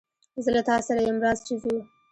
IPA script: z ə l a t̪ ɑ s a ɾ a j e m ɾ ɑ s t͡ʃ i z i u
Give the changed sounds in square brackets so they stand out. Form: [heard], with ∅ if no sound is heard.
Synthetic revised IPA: z ə l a t̪ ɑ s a ɾ a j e m ɾ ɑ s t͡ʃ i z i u